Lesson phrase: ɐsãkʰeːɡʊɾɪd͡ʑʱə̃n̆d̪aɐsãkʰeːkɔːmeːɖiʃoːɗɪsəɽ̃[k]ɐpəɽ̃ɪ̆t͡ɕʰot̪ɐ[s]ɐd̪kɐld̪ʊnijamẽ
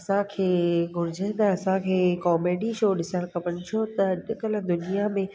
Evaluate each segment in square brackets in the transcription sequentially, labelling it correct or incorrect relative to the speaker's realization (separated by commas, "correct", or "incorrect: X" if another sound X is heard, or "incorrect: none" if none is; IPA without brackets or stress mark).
correct, incorrect: none